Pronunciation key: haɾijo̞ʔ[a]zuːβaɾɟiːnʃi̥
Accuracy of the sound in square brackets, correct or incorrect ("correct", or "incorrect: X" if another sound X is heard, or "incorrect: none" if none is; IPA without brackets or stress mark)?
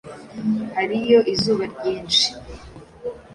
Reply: incorrect: i